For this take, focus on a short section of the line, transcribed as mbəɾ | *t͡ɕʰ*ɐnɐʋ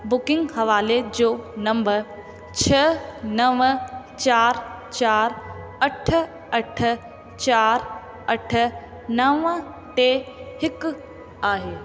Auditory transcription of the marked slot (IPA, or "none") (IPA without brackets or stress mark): t͡ɕʰ